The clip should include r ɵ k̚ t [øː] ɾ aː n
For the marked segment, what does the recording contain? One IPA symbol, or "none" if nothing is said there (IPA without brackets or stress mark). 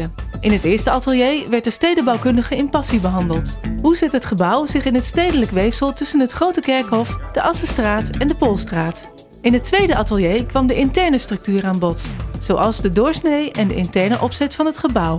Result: yː